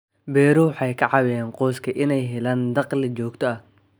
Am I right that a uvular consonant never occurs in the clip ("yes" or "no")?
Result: no